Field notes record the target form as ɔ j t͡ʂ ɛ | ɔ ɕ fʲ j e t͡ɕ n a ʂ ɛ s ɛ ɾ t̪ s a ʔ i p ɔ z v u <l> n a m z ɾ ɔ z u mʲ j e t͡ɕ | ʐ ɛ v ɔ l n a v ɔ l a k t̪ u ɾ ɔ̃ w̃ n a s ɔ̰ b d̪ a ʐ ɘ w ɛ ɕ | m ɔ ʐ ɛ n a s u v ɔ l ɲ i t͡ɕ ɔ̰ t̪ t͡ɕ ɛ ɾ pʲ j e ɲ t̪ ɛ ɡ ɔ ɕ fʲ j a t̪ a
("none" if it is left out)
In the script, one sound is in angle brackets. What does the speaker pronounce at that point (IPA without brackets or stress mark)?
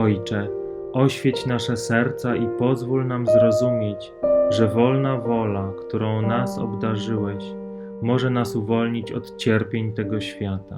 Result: l